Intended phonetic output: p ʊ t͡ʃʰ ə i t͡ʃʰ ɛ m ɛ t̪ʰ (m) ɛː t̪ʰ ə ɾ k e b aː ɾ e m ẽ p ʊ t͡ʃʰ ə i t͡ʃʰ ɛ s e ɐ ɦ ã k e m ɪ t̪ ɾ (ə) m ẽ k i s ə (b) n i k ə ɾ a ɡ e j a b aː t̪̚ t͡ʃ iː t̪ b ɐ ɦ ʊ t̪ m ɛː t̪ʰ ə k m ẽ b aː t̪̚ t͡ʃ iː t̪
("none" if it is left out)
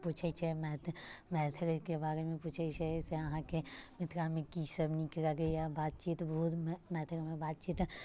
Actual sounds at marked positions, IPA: m, a, b

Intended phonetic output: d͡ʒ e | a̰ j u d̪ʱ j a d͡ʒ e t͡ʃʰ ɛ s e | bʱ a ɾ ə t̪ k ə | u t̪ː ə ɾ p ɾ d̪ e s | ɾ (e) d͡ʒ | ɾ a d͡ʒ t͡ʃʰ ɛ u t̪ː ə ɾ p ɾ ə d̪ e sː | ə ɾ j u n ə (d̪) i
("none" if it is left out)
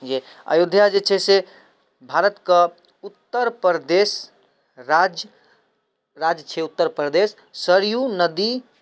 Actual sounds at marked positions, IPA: a, d̪

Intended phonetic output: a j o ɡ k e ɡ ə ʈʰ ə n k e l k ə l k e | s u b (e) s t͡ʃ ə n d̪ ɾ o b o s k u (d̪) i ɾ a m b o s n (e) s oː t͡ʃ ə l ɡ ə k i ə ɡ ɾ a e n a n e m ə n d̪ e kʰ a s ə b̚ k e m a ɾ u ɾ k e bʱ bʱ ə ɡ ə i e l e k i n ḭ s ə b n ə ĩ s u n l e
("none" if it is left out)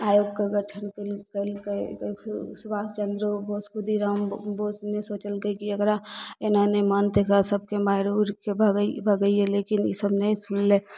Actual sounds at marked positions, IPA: a, d̪, e

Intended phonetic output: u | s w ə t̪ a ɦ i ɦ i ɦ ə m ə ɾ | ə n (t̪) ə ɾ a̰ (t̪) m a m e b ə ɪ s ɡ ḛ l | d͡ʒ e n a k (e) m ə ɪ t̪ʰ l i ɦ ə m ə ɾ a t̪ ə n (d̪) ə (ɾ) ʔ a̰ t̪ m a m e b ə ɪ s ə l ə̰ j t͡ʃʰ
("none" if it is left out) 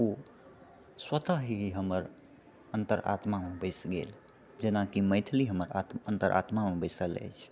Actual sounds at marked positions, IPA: t̪, t̪, i, t̪, ɾ

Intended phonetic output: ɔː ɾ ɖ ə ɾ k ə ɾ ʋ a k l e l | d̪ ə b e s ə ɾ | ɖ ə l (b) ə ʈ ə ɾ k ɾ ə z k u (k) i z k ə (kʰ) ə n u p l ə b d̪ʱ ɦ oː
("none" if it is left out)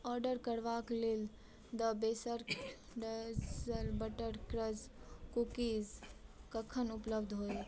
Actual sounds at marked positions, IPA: b, k, kʰ

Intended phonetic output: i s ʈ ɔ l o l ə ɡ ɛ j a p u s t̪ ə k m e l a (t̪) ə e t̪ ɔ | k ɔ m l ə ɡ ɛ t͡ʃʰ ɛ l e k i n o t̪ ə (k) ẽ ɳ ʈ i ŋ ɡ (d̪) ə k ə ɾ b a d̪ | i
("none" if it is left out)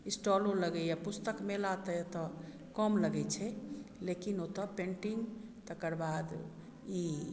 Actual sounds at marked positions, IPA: t̪, p, t̪

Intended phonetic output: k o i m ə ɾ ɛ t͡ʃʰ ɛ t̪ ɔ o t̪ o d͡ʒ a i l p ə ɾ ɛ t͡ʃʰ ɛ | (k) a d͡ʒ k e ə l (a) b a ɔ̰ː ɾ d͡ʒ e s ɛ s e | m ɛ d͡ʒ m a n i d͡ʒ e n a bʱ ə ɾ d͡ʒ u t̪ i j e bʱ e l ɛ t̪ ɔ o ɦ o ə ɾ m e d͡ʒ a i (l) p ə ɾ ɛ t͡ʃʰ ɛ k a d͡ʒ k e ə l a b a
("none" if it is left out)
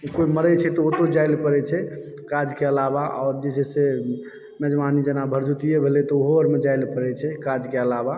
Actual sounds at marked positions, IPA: k, a, l

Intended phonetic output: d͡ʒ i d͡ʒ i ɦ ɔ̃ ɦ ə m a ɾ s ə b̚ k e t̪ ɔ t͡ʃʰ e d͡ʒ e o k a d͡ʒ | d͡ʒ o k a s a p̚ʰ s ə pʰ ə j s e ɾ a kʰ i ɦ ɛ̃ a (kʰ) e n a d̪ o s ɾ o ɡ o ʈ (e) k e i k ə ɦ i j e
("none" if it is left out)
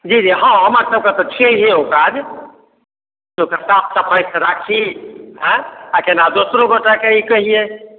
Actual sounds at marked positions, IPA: k, a

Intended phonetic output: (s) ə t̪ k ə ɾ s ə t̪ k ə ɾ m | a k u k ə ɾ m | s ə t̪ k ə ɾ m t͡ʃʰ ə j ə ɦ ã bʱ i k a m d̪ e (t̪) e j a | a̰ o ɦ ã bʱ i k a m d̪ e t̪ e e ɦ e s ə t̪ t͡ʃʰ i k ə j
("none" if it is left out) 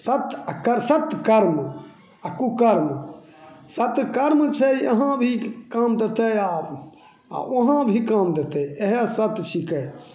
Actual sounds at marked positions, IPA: s, t̪

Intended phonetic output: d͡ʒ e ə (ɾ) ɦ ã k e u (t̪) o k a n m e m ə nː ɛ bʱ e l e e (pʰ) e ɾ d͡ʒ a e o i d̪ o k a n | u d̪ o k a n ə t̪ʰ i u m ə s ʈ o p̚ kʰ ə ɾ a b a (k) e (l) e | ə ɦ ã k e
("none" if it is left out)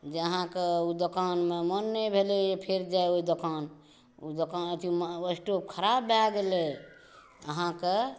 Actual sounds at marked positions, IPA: none, d̪, pʰ, ɡ, l

